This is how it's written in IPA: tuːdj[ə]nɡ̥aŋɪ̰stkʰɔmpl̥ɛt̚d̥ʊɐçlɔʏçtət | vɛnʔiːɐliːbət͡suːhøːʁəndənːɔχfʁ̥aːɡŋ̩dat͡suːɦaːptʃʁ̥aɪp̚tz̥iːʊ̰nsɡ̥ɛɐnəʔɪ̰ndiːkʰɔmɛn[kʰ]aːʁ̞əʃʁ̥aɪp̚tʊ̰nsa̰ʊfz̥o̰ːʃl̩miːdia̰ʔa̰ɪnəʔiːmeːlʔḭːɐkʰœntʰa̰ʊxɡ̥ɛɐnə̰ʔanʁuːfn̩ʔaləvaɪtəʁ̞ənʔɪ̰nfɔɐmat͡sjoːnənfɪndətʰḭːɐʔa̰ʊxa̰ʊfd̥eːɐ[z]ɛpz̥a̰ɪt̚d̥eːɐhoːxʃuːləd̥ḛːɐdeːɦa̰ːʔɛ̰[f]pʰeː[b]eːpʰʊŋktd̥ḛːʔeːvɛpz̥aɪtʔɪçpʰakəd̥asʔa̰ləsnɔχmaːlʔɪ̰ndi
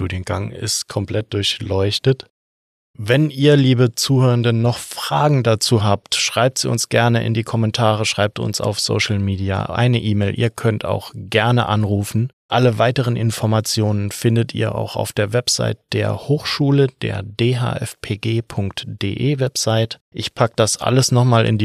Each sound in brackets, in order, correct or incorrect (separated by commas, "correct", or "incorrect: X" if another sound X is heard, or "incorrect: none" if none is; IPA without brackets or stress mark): correct, incorrect: tʰ, incorrect: v, correct, incorrect: ɡ